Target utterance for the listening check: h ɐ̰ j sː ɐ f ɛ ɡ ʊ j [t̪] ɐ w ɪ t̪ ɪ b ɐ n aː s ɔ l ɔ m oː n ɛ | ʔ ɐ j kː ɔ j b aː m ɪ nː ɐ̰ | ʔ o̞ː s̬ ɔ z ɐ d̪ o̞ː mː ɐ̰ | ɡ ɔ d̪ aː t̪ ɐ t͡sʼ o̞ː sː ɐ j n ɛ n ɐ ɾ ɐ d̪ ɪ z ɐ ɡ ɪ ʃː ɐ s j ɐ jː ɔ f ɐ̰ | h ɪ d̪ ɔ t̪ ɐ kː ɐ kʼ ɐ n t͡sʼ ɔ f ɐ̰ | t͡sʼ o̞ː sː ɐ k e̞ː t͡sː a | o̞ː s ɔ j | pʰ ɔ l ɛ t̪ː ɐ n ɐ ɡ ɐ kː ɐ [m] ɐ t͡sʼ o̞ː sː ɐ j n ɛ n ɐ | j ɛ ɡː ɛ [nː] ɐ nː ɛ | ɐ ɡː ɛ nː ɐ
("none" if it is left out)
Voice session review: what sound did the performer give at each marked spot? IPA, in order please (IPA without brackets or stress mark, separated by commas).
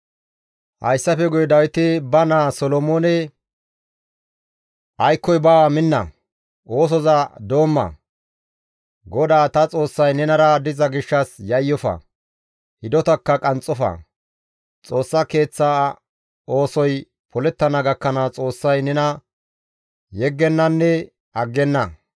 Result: d̪, n, nː